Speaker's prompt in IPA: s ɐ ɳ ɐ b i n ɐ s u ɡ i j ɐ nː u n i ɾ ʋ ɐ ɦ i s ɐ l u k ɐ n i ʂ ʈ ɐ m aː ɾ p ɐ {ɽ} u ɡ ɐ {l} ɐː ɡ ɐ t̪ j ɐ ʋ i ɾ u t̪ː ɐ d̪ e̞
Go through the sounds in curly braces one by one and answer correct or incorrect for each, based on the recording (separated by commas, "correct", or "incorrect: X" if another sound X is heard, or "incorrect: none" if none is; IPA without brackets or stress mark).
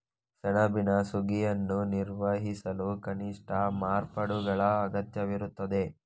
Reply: correct, incorrect: ɭ